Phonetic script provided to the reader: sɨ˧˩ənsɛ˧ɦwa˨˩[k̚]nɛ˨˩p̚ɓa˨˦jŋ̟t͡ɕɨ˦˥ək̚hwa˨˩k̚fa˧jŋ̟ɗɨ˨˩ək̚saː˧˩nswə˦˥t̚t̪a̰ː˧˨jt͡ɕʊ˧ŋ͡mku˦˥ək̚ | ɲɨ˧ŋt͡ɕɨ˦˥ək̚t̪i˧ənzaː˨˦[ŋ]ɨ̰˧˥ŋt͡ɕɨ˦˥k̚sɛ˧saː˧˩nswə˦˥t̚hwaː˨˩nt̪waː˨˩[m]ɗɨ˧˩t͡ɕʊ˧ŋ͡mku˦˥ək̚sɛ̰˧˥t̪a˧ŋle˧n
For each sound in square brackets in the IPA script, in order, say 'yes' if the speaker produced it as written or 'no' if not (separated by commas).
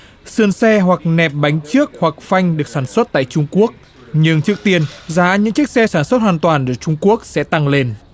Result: yes, no, no